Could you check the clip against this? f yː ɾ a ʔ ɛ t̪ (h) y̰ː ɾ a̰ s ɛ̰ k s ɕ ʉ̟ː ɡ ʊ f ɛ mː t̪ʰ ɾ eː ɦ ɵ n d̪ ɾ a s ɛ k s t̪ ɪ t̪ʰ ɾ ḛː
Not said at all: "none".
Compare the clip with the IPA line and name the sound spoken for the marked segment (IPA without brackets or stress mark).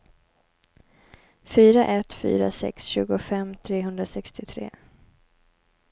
f